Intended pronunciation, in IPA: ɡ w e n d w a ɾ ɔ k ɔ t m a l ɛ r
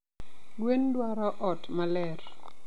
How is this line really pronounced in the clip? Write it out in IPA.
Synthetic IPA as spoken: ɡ w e n d w a ɾ ɔ ʔ ɔ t m a l ɛ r